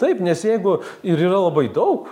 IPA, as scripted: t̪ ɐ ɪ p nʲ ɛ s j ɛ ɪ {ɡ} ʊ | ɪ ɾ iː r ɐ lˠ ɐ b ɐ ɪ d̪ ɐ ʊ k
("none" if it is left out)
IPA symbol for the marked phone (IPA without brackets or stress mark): ɡ